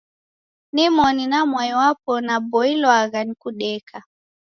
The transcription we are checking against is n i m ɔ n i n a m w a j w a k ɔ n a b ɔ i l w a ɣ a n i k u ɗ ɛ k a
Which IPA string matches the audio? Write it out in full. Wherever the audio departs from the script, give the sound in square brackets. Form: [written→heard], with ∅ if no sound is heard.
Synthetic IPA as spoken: n i m ɔ n i n a m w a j w a [k→p] ɔ n a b ɔ i l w a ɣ a n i k u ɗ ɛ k a